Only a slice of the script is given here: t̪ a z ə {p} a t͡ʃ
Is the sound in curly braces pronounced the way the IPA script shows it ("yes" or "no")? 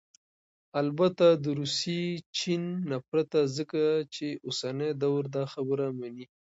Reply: no